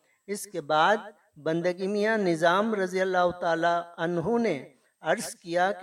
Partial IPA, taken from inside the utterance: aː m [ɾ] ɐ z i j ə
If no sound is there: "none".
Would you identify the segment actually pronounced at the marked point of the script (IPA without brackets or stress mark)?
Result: ɾ